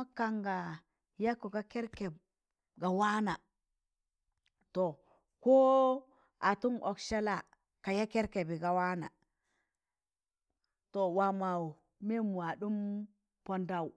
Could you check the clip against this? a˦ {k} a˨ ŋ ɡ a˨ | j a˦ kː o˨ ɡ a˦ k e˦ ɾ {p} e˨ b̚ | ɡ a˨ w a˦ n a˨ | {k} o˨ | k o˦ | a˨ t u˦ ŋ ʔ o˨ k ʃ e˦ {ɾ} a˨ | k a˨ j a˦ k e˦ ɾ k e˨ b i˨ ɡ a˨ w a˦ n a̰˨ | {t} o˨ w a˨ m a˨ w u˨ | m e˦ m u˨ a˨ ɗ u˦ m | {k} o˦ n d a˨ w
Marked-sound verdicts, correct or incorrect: correct, incorrect: k, incorrect: t, incorrect: l, correct, incorrect: p

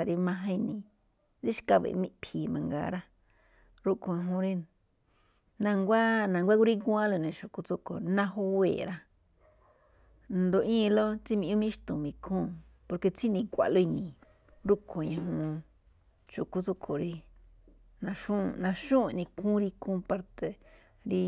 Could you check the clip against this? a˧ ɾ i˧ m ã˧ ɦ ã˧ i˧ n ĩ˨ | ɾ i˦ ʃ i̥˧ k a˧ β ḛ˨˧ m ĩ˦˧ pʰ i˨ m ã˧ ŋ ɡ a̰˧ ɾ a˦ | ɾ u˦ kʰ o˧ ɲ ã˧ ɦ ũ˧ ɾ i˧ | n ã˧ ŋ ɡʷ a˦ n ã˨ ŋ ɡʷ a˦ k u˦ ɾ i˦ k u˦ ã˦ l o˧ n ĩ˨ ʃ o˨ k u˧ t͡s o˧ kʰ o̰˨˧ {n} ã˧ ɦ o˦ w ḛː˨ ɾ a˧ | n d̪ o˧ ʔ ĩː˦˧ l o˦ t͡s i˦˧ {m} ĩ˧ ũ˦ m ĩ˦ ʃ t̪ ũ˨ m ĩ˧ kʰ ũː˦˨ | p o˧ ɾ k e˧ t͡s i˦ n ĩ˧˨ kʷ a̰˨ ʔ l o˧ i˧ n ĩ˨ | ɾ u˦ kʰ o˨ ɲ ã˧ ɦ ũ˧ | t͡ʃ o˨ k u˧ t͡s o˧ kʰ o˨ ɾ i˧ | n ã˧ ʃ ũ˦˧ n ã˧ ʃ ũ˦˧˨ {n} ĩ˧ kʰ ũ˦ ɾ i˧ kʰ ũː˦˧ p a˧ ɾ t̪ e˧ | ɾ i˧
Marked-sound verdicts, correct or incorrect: correct, correct, correct

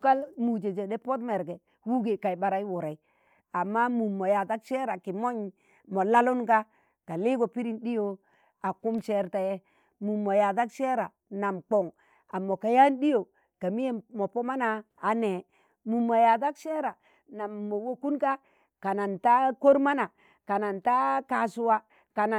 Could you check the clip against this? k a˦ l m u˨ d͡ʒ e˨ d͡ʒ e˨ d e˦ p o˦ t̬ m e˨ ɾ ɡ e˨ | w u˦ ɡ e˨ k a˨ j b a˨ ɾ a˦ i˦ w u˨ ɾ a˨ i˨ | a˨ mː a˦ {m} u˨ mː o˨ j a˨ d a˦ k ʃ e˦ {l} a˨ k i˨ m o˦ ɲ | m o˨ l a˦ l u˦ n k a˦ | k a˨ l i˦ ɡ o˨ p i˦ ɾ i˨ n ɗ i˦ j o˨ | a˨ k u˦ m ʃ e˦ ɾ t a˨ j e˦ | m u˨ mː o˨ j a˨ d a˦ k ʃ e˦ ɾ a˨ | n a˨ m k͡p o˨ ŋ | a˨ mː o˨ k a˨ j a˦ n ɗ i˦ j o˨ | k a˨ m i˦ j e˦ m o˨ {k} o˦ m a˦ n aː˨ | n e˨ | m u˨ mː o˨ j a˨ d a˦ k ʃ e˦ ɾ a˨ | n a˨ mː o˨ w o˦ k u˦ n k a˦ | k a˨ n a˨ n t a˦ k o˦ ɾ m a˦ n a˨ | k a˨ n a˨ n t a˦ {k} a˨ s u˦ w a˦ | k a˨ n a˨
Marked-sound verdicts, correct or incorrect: correct, incorrect: ɾ, incorrect: p, correct

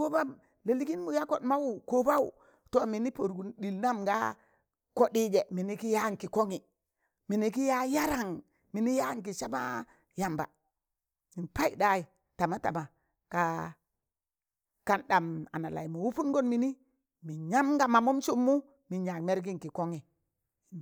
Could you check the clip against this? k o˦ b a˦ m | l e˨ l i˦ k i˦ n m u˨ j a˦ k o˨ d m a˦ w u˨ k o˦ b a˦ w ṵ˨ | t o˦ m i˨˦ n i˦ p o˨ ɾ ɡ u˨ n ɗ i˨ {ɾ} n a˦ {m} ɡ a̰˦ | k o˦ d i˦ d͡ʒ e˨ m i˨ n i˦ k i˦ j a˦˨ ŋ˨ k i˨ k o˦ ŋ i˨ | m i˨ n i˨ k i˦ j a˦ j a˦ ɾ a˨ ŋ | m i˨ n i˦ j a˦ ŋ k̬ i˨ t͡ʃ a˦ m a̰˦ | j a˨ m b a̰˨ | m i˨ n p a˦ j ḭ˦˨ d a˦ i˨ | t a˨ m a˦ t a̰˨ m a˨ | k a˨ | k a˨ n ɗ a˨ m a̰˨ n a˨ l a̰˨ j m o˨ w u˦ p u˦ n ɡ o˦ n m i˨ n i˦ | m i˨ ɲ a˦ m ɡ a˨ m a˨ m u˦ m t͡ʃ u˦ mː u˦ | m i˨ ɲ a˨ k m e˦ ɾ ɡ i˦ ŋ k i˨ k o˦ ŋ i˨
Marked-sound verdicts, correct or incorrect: incorrect: l, correct

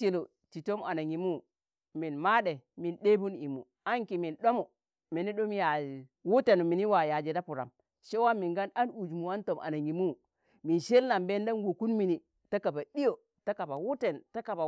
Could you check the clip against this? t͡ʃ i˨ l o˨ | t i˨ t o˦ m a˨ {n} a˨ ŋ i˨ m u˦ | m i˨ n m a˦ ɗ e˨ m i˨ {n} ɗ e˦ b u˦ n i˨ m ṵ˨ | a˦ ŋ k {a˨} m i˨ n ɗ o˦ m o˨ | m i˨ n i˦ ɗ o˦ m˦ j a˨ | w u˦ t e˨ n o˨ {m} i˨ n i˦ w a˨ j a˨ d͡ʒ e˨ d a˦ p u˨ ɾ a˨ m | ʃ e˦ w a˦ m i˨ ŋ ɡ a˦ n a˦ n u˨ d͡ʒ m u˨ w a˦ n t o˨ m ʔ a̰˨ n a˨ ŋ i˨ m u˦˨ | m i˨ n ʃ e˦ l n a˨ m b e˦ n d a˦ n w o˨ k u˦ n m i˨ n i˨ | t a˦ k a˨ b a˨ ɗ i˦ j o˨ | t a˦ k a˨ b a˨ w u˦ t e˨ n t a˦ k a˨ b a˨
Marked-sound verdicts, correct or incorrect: correct, correct, incorrect: i˨, correct

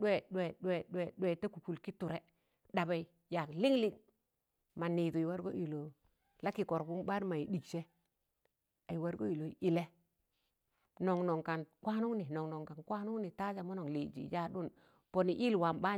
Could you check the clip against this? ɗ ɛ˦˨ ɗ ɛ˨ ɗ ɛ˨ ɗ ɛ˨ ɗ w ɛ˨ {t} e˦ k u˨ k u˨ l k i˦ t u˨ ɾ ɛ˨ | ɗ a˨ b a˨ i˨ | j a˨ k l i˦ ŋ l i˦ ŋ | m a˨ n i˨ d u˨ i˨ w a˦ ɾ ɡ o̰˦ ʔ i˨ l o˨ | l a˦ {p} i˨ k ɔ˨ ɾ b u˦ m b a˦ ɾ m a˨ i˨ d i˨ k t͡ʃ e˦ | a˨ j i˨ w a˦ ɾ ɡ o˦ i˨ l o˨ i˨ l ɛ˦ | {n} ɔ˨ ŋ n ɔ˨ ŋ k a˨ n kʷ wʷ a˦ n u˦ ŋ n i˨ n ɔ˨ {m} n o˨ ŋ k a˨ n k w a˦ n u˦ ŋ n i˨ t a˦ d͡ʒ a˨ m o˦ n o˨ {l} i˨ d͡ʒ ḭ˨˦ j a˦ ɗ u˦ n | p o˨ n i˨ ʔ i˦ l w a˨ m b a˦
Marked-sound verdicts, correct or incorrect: correct, incorrect: k, correct, incorrect: ŋ, correct

